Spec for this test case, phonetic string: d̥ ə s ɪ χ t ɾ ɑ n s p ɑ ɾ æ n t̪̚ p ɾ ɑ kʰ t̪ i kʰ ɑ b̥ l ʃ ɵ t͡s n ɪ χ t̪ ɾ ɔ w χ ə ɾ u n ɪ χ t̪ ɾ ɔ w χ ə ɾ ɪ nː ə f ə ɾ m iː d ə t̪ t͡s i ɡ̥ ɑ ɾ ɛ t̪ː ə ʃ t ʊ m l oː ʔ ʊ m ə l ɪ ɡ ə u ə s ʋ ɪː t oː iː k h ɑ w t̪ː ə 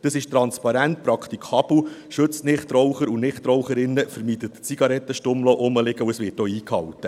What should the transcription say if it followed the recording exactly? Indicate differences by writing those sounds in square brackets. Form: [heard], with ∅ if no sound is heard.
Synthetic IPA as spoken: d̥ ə s ɪ [ʃ] t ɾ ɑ n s p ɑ ɾ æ n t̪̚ p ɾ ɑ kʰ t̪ i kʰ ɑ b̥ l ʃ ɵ t͡s n ɪ χ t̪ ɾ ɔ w χ ə ɾ u n ɪ χ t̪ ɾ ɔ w χ ə ɾ ɪ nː ə f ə ɾ m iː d ə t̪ t͡s i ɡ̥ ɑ ɾ ɛ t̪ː ə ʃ t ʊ m l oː ʔ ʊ m ə l ɪ ɡ ə u ə s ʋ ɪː t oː iː k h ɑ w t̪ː ə